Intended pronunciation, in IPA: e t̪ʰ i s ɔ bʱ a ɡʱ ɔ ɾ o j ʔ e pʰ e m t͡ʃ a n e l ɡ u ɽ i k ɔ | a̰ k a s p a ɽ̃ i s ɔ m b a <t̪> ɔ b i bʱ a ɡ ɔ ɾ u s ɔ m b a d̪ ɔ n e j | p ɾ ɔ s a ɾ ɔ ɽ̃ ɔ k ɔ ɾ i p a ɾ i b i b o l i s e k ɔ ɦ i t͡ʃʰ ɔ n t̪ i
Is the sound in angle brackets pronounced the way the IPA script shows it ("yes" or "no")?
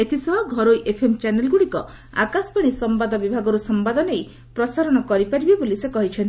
no